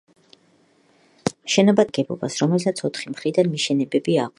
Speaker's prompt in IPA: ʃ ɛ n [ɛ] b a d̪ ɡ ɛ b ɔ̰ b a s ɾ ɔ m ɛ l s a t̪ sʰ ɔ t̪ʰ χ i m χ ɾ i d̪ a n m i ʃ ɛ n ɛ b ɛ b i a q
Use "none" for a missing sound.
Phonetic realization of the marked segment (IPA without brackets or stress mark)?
a